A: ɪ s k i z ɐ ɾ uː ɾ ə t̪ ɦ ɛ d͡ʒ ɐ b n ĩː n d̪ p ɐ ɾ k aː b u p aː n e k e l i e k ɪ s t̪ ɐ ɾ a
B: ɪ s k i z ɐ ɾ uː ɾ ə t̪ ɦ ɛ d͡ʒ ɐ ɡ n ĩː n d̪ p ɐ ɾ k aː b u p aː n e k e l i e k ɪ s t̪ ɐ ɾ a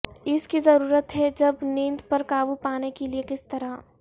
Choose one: A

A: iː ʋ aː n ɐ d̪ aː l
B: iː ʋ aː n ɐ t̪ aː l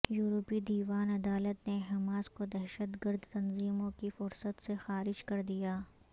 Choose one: A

